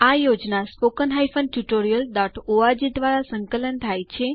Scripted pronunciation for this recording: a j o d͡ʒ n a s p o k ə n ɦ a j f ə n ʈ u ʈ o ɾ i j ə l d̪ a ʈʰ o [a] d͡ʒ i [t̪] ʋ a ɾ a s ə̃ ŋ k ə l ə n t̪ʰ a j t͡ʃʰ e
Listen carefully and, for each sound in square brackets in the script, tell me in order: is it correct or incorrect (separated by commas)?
correct, incorrect